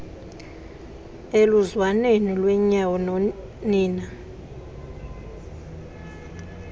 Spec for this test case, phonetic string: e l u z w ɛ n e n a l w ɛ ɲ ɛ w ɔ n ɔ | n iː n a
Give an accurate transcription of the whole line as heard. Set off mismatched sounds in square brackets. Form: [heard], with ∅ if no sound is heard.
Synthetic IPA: e l u z w [a] n e n [i] l w ɛ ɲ [a] w ɔ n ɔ | n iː n a